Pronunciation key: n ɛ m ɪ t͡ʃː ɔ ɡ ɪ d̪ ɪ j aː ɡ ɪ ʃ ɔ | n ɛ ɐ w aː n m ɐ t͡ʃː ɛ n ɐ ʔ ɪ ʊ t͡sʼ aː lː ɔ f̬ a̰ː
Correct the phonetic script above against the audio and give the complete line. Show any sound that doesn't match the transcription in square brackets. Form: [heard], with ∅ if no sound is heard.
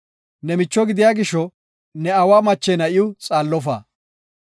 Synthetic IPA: n ɛ m ɪ t͡ʃː ɔ ɡ ɪ d̪ ɪ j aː ɡ ɪ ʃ ɔ | n ɛ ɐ w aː [∅] m ɐ t͡ʃː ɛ n ɐ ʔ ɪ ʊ t͡sʼ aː lː ɔ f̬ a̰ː